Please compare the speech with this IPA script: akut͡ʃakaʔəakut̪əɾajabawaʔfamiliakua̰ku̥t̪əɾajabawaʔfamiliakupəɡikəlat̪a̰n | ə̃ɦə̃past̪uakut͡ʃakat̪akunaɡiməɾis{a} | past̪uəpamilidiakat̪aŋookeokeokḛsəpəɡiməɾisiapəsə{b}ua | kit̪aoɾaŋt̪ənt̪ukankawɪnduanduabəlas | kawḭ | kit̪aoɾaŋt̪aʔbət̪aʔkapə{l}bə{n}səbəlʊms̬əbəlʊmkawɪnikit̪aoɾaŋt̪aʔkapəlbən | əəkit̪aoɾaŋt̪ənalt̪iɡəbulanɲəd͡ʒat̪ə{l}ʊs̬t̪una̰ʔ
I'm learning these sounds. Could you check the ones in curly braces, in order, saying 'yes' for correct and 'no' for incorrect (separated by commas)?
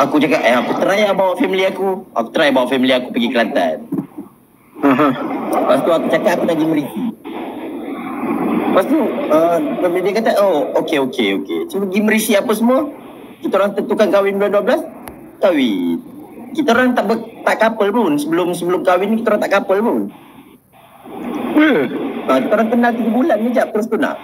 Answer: no, no, yes, yes, no